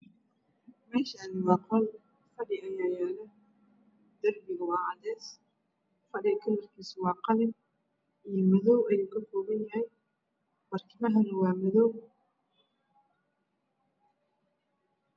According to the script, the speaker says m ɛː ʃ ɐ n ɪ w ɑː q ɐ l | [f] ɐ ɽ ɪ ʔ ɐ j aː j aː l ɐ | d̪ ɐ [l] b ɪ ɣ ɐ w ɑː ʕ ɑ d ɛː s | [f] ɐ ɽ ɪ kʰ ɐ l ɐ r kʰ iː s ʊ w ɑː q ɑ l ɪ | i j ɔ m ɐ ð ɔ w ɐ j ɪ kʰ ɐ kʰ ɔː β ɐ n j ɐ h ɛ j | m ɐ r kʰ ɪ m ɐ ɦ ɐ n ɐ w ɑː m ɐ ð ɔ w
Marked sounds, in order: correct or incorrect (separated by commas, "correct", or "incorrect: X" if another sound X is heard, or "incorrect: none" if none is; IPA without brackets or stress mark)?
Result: correct, incorrect: r, correct